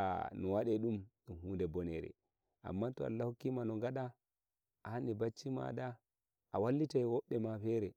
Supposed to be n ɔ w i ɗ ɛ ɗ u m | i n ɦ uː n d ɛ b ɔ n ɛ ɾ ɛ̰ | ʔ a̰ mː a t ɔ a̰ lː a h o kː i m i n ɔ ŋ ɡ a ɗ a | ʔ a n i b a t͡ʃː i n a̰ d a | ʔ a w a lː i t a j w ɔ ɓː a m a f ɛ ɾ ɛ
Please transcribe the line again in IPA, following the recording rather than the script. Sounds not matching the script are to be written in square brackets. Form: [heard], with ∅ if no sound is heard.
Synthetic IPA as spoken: n ɔ w [a] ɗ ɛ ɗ u m | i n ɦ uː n d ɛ b ɔ n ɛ ɾ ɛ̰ | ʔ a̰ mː a t ɔ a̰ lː a h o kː i m [a] n ɔ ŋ ɡ a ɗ a | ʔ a n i b a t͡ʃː i [m] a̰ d a | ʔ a w a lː i t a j w ɔ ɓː [ɛ] m a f ɛ ɾ ɛ